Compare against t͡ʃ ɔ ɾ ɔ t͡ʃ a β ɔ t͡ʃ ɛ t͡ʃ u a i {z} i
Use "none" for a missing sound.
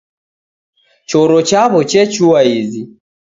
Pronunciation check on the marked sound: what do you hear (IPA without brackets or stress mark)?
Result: z